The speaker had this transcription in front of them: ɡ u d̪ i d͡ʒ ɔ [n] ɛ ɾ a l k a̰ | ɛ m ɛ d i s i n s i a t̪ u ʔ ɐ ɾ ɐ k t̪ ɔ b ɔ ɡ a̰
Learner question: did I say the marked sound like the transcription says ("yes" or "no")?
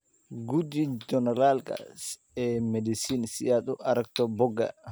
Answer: yes